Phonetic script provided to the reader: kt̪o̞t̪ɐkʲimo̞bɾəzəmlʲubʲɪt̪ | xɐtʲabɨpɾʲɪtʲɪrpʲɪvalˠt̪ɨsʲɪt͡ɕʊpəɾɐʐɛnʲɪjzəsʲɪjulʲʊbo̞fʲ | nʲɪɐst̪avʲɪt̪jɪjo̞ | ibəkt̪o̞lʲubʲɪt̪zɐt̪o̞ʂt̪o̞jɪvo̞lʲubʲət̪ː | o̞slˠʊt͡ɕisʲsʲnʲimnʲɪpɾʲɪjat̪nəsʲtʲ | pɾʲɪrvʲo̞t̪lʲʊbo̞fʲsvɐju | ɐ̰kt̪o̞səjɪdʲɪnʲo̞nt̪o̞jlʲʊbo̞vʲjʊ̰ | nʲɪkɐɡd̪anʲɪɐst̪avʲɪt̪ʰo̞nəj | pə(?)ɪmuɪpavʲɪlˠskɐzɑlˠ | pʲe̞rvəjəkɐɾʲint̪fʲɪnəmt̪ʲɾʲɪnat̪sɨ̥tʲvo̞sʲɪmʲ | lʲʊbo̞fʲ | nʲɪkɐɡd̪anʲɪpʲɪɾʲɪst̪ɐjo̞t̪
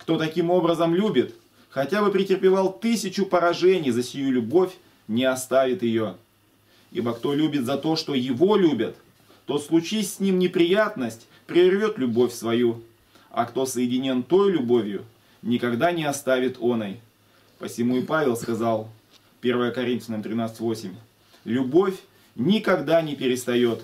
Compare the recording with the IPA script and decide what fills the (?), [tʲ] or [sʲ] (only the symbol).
sʲ